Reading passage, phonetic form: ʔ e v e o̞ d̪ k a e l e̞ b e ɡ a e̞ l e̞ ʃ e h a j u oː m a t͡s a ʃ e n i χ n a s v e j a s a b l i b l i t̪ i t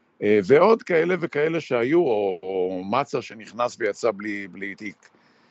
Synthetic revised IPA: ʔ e v e o̞ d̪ k a e l e̞ v e k a e̞ l e̞ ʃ e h a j u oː m a t͡s a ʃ e n i χ n a s v e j a t͡s a b l i b l i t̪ i k